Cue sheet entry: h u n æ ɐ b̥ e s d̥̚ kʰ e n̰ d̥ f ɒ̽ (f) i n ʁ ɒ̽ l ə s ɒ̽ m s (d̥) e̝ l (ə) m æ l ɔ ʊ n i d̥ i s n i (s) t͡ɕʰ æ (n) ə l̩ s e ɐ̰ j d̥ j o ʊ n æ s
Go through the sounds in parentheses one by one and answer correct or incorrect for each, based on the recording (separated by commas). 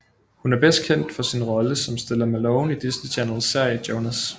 incorrect, correct, incorrect, incorrect, correct